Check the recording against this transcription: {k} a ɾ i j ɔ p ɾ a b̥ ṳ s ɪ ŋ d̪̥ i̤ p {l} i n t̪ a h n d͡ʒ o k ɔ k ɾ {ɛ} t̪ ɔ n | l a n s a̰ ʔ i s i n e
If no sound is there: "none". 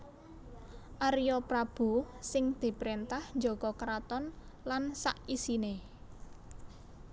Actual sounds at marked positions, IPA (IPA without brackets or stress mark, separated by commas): ʔ, ɾ, a